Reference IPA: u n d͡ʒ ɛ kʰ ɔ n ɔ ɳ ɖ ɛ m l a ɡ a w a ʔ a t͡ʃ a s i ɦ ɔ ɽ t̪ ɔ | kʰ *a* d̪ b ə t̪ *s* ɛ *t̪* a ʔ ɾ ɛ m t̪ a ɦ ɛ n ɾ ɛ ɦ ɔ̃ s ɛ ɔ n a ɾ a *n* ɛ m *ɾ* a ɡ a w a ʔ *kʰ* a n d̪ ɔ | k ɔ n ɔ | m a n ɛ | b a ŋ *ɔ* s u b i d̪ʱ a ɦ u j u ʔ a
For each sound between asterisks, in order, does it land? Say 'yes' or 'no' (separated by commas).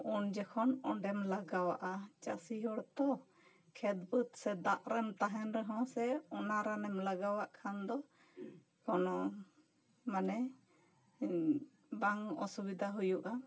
no, yes, no, yes, no, yes, yes